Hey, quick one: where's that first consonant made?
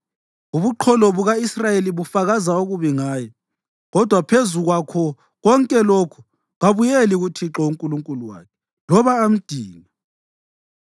lips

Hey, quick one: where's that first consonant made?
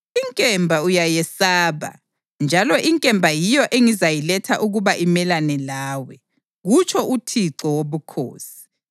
velum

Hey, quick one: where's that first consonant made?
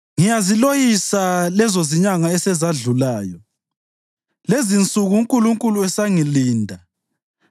velum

